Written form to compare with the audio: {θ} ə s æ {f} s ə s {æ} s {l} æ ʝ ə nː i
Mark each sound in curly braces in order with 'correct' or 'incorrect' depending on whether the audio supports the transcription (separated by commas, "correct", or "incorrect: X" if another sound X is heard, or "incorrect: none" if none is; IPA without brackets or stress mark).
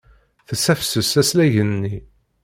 correct, correct, correct, correct